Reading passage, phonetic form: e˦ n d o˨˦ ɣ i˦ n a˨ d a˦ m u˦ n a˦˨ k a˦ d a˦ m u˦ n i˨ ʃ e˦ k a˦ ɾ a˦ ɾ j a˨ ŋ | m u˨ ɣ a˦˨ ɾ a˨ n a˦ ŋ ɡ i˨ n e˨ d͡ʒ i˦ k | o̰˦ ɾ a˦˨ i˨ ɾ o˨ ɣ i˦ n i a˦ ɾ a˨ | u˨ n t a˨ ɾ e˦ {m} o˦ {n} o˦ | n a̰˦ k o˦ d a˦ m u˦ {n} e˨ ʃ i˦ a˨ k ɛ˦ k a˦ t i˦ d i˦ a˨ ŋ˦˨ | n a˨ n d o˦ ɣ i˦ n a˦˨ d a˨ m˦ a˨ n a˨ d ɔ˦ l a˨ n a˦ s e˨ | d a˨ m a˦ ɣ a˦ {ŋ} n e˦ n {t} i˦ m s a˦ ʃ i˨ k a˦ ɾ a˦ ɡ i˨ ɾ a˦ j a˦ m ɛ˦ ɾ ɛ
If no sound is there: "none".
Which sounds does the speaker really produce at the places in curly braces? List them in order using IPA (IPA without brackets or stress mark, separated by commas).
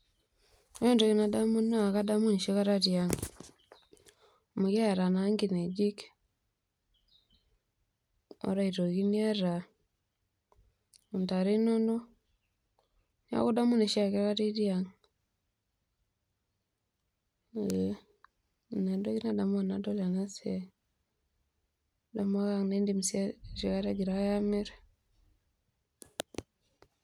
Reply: n, n, n, ŋ, d